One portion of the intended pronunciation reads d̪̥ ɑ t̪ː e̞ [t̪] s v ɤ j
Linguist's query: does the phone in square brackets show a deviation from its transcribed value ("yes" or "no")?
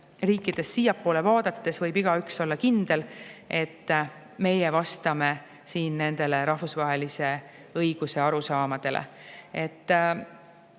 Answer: yes